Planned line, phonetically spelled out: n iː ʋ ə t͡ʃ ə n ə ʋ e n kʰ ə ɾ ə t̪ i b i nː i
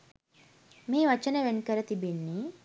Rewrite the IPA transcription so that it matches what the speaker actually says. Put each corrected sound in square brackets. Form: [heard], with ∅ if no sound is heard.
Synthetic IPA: [m] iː ʋ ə t͡ʃ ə n ə ʋ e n [k] ə ɾ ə t̪ i b i nː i